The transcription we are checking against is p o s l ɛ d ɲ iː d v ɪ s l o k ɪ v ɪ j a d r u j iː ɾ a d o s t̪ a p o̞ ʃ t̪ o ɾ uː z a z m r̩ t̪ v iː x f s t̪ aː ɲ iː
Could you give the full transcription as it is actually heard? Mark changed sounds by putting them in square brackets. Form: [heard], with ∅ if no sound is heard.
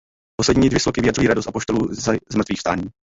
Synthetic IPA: p o s l ɛ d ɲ iː d v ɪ s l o k ɪ v ɪ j a d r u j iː ɾ a d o s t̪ a p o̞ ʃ t̪ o [l] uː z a z m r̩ t̪ v iː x f s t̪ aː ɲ iː